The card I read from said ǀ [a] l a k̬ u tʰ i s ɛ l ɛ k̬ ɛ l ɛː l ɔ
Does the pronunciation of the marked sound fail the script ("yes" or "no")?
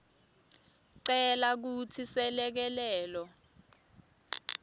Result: yes